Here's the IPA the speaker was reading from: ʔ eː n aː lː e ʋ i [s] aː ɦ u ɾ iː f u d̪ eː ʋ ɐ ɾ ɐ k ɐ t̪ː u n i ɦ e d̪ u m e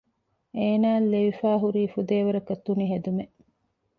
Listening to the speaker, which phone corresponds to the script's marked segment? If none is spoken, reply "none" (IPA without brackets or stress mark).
f